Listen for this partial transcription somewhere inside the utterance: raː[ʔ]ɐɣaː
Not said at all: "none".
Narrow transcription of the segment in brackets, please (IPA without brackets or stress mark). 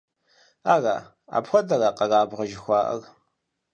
q